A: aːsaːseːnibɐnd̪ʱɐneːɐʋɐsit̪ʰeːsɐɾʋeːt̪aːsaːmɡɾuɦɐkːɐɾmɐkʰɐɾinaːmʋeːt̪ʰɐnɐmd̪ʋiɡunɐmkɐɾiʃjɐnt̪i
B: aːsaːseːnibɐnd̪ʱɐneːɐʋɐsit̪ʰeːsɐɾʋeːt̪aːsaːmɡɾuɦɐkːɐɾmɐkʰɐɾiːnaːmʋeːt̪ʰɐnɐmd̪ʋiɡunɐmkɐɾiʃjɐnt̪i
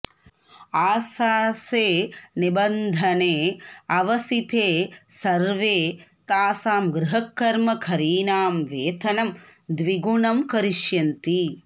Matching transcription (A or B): B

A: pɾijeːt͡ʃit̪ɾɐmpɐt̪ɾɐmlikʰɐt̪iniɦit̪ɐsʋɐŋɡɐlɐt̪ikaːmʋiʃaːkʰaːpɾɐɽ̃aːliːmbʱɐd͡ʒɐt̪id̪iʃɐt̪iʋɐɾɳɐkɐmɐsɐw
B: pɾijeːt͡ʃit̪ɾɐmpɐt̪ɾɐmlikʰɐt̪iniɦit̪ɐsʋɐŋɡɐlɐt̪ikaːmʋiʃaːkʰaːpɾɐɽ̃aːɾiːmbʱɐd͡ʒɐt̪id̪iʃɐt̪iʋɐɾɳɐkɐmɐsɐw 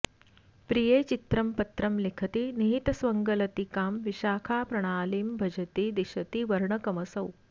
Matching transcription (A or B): A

